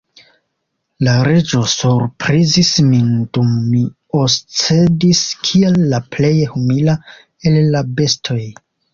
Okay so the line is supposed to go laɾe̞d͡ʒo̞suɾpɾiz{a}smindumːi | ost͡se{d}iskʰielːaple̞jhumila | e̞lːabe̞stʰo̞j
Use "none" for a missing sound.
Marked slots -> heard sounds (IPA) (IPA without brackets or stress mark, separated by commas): i, d